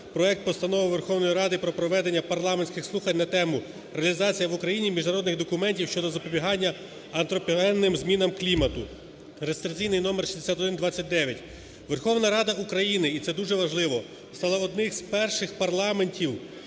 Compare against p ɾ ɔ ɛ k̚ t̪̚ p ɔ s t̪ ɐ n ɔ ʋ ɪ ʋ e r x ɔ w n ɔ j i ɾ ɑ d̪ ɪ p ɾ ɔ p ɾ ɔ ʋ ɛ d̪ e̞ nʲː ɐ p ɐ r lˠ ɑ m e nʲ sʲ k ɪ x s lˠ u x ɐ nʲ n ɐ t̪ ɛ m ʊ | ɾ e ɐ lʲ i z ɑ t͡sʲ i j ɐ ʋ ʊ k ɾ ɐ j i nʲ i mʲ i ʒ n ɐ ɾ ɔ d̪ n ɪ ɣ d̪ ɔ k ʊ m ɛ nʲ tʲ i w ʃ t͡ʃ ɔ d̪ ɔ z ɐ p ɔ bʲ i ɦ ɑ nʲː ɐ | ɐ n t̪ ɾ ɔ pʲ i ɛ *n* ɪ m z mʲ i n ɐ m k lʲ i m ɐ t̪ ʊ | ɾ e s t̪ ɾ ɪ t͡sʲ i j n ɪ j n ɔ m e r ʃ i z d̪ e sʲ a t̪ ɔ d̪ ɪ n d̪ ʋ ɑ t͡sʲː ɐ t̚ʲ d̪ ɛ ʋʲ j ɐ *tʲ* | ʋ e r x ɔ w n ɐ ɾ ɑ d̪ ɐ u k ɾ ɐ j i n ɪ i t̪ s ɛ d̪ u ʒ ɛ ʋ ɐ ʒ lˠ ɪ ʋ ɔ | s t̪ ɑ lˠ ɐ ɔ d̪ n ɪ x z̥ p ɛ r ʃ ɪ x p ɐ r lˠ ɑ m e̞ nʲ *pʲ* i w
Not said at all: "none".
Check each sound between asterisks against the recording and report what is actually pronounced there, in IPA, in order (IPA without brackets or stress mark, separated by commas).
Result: nː, tʲ, tʲ